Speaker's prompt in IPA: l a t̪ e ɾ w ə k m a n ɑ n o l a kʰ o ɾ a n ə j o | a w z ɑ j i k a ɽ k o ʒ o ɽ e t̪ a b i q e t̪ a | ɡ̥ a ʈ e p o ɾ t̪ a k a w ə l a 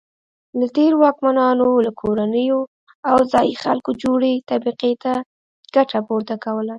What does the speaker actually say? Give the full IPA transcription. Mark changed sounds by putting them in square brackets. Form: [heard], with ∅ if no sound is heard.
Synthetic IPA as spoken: l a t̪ e ɾ w [ɑ] k m a n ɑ n o l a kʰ o ɾ a n ə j o | a w z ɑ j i [x] a [l] k o [d͡ʒ] o ɽ e t̪ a b i q e t̪ a | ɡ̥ a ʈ [a] p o ɾ t̪ a k a w ə l a